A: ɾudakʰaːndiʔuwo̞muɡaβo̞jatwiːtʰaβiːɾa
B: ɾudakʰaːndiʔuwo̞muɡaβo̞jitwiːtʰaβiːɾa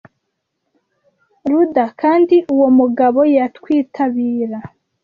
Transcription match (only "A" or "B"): A